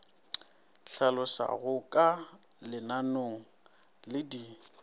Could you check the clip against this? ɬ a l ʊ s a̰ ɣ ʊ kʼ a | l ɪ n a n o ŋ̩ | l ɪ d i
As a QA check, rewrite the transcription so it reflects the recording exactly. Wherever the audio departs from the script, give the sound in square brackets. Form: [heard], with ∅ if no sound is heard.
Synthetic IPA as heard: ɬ a l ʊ s a̰ ɣ ʊ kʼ a | l ɪ n a n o ŋ̩ | l ɪ d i